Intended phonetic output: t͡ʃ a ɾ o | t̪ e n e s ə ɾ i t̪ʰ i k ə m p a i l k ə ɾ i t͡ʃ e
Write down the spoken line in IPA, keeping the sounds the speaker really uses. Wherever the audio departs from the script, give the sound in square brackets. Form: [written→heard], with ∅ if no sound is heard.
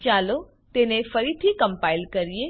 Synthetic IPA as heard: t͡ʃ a [ɾ→l] o | t̪ e n e [s→f] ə ɾ i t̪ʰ i k ə m p a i l k ə ɾ i [t͡ʃ→∅] e